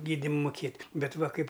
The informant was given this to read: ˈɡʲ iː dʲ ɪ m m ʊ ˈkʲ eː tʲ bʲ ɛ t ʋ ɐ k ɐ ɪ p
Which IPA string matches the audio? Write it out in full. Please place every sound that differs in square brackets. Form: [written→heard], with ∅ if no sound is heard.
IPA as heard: ˈɡʲ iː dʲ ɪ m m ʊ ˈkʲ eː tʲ bʲ ɛ t ʋ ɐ k ɐ ɪ p